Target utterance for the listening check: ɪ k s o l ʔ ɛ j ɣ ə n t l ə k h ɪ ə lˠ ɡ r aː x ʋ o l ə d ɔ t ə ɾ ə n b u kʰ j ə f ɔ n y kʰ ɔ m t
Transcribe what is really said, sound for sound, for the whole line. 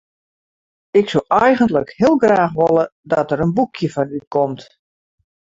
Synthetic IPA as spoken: ɪ k s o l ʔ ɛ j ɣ ə n t l ə k h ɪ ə lˠ ɡ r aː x ʋ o l ə d ɔ t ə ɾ ə n b u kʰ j ə f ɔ n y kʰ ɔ m t